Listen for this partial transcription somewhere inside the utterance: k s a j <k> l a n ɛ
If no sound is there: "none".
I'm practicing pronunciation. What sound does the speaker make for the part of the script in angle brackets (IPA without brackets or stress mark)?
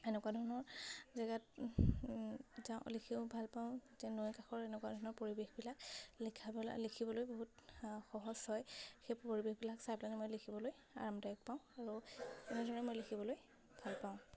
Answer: p